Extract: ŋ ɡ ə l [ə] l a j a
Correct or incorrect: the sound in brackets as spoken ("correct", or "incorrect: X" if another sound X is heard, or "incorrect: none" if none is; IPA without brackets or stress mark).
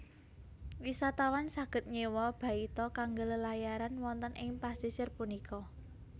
correct